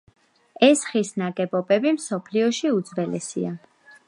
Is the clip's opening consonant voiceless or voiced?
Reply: voiceless